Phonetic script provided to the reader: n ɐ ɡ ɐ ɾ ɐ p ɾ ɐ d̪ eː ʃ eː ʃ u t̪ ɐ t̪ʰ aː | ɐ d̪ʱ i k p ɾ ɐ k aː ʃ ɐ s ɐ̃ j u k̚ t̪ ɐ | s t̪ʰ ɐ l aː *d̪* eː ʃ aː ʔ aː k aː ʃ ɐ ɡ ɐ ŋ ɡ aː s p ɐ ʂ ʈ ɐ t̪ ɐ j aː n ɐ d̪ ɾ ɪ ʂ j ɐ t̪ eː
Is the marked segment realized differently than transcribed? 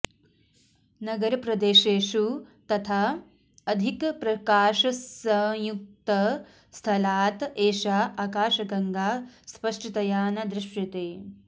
yes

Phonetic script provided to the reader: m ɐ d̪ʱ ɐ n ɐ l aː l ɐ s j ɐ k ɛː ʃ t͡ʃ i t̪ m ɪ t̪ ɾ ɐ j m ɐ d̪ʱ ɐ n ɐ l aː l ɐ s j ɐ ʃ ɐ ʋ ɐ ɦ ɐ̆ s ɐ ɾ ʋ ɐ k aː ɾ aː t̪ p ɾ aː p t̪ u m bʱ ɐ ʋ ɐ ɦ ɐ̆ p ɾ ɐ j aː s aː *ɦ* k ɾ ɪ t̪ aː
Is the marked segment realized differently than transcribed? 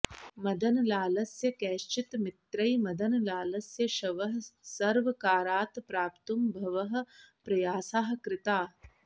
no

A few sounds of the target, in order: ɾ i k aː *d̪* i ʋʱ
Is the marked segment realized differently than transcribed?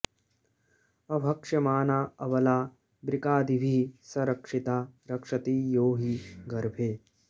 no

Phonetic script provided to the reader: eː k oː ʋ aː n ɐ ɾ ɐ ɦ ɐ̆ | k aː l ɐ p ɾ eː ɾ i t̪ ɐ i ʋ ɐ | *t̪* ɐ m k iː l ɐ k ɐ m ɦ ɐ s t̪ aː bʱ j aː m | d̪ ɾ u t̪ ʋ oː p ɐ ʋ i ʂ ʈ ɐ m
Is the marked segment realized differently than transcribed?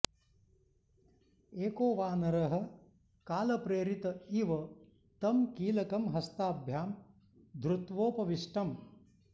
no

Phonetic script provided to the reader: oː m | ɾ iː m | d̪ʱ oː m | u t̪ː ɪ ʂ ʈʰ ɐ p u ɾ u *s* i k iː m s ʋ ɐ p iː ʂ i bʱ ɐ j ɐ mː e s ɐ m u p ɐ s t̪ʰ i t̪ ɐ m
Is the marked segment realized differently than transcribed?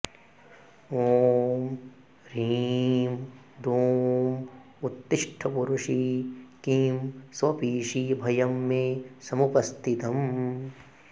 yes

